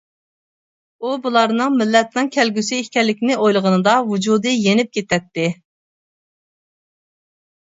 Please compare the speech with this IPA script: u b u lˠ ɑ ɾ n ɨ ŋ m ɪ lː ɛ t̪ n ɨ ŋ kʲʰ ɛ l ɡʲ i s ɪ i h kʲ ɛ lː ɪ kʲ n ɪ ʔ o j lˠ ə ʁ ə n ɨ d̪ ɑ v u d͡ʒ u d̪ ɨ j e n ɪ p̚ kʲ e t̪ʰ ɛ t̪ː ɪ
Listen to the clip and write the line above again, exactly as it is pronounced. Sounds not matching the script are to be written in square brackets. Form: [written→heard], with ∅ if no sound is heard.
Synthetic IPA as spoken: u b u lˠ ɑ ɾ n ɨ ŋ m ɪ lː ɛ t̪ n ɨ ŋ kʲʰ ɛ l ɡʲ [i→y] s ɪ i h kʲ ɛ lː ɪ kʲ n ɪ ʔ o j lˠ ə ʁ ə n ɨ d̪ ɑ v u d͡ʒ u d̪ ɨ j e n ɪ p̚ kʲ e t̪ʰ ɛ t̪ː ɪ